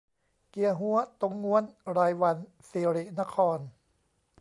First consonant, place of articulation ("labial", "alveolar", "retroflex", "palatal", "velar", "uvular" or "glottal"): velar